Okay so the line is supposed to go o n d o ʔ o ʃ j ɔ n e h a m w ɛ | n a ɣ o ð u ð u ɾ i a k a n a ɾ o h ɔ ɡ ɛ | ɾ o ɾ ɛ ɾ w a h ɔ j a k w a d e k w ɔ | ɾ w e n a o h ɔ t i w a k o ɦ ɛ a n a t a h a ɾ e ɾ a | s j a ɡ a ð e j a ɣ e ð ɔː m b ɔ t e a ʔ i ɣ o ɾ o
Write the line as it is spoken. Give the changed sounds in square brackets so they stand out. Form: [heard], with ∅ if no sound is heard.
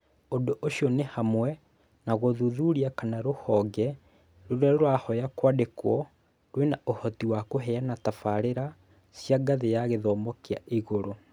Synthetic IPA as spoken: o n d o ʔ o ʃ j ɔ n e h a m w ɛ | n a ɣ o ð u ð u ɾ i a k a n a ɾ o h ɔ ɡ ɛ | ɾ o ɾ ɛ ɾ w a h ɔ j a k w a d e k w ɔ | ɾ w e n a o h ɔ t i w a k o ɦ ɛ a n a t a [f] a ɾ e ɾ a | s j a ɡ a ð e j a ɣ e ð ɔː m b ɔ [k] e a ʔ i ɣ o ɾ o